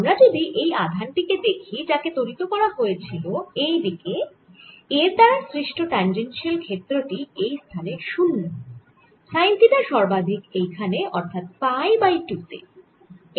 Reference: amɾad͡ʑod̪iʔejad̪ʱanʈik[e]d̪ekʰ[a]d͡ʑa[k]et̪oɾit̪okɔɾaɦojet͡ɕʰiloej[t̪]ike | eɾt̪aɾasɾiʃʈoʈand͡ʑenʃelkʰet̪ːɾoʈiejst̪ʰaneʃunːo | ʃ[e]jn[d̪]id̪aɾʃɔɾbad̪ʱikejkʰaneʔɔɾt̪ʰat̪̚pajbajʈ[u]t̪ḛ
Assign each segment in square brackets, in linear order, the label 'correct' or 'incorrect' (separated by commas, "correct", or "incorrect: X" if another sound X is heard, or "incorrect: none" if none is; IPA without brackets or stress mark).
correct, incorrect: i, correct, incorrect: d̪, incorrect: a, incorrect: t̪, correct